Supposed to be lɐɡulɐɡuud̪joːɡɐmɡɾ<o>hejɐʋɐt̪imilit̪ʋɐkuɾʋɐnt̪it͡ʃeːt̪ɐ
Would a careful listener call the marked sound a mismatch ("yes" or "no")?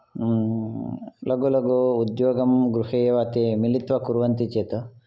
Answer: yes